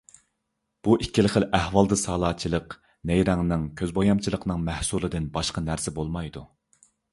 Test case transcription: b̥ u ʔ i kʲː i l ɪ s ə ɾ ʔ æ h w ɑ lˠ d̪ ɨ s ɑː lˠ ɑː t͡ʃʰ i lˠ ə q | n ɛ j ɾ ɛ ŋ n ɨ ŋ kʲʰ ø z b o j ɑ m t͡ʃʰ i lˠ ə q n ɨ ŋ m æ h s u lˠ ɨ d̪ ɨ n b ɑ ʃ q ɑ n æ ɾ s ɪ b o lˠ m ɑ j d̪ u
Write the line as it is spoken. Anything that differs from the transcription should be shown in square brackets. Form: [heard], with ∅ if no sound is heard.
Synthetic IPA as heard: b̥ u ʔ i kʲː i l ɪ [χ] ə [l] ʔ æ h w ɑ lˠ d̪ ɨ s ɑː lˠ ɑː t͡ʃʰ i lˠ ə q | n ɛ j ɾ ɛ ŋ n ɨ ŋ kʲʰ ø z b o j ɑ m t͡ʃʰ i lˠ ə q n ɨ ŋ m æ h s u lˠ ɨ d̪ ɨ n b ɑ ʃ q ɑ n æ ɾ s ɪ b o lˠ m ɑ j d̪ u